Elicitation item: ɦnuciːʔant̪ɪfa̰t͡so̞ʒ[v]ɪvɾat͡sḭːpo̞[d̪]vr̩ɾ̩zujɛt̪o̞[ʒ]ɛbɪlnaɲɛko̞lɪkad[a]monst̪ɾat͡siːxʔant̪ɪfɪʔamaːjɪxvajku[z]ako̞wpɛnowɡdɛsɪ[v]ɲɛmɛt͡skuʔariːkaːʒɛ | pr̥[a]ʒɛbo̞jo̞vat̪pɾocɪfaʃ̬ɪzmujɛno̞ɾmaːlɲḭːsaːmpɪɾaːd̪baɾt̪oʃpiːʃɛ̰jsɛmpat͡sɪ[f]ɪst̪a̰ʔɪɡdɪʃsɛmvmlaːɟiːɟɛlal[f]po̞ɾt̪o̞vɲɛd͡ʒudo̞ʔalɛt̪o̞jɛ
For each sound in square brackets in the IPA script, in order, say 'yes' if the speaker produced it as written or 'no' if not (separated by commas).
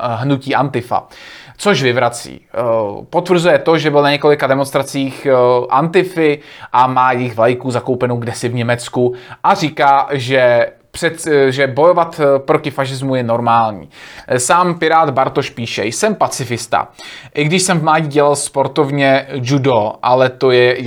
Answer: yes, no, yes, no, yes, yes, no, yes, no